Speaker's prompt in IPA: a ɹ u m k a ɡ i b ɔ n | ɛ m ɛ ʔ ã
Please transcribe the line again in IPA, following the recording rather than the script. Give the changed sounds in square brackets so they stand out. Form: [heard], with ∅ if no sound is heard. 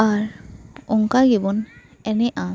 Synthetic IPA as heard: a ɹ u [ŋ] k a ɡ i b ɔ n | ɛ [n] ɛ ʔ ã